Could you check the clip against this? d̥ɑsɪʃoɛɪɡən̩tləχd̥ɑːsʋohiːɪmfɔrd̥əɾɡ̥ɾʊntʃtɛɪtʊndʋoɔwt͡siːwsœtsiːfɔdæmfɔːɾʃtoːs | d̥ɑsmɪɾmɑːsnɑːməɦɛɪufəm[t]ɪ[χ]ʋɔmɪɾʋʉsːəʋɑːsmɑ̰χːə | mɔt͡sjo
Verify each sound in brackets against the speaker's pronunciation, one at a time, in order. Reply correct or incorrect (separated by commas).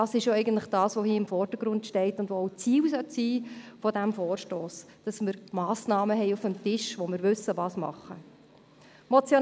correct, incorrect